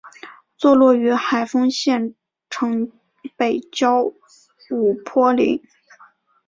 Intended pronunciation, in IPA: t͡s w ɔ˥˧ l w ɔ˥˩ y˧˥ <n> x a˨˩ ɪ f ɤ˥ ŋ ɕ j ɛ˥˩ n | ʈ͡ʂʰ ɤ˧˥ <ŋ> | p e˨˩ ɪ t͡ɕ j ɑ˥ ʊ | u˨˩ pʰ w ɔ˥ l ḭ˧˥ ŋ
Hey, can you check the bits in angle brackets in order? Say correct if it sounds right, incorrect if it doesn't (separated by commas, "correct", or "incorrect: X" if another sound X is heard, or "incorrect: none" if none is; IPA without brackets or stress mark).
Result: incorrect: none, correct